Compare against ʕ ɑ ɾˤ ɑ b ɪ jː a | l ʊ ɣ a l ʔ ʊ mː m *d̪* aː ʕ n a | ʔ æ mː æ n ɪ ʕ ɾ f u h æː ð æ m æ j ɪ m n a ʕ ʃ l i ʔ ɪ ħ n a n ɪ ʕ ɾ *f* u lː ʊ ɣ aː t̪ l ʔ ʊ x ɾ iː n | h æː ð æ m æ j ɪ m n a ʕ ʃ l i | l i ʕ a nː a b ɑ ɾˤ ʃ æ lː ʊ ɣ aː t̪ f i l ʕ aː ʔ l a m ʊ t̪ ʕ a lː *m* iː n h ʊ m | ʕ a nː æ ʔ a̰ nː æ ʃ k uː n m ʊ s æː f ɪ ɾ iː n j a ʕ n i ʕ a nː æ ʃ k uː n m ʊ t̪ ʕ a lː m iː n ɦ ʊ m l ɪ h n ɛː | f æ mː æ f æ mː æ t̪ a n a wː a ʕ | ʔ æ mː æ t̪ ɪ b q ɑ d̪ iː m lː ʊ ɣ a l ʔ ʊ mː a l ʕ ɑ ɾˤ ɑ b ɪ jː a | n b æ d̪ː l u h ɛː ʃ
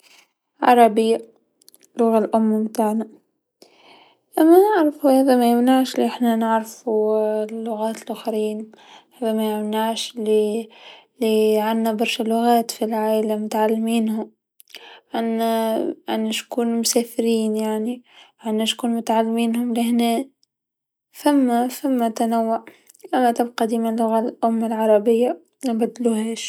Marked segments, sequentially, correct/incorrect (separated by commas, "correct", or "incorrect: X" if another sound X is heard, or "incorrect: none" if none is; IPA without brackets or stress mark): incorrect: t̪, correct, correct